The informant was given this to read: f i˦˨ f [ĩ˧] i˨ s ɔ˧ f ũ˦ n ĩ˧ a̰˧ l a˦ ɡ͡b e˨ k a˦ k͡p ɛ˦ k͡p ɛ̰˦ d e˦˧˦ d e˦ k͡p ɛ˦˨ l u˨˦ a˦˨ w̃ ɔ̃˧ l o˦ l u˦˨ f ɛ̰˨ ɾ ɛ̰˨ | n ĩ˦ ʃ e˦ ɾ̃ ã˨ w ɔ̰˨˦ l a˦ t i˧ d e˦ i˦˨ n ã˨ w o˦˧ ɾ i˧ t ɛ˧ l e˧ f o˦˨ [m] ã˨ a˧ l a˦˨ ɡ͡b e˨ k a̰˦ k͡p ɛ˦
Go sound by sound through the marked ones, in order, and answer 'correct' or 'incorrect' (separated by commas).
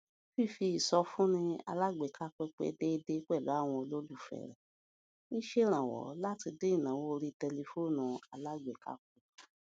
incorrect, incorrect